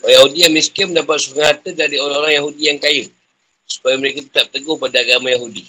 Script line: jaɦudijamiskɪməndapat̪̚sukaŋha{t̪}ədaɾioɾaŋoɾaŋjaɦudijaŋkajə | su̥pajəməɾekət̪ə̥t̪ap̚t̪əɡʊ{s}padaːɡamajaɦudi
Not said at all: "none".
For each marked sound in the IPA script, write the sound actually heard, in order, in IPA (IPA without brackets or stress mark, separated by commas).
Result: t̪, h